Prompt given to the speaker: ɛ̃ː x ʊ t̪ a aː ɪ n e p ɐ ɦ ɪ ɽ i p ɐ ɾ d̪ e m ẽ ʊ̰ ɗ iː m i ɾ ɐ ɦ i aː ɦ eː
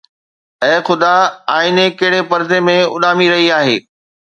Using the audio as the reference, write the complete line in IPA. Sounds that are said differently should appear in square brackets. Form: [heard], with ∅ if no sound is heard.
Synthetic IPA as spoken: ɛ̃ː x ʊ [d̪] a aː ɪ n e [k] ɐ ɦ ɪ ɽ [e] p ɐ ɾ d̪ e m ẽ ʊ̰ ɗ [aː] m i ɾ ɐ ɦ i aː ɦ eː